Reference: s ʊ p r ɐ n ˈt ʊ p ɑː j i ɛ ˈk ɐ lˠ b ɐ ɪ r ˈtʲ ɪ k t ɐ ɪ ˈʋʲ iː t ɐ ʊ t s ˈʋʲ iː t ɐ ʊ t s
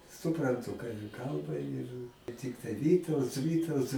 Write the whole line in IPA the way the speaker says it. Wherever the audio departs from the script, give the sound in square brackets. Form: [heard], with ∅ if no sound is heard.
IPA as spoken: s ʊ p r ɐ n ˈt ʊ [k] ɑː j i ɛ ˈk ɐ lˠ b ɐ ɪ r ˈtʲ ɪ k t ɐ ɪ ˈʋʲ iː t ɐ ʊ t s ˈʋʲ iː t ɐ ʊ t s